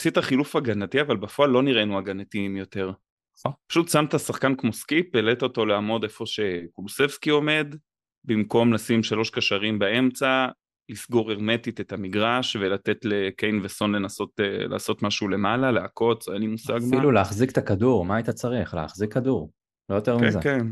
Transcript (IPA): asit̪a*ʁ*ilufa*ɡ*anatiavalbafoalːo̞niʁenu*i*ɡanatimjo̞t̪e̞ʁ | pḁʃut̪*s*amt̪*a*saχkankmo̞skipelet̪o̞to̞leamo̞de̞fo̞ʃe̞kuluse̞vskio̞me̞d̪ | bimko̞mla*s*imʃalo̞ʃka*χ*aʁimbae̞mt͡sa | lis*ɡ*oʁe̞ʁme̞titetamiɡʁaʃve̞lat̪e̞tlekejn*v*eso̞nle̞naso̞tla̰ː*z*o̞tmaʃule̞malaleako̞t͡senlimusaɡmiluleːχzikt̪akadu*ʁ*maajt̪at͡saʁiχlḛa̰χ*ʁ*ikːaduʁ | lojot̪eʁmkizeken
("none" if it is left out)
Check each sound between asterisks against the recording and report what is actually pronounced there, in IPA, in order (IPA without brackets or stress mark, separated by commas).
χ, ɡ, a, s, a, s, ʃ, ɡ, v, s, ʁ, z